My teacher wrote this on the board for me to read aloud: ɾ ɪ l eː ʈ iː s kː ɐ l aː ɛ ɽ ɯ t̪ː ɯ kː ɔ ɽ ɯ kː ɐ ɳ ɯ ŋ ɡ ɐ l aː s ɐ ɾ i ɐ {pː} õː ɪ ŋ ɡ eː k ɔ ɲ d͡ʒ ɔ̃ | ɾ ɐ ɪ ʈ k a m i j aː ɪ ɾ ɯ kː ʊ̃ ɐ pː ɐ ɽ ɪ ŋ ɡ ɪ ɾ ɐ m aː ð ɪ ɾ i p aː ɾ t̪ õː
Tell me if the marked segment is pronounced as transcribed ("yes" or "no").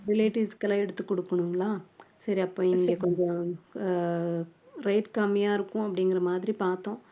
yes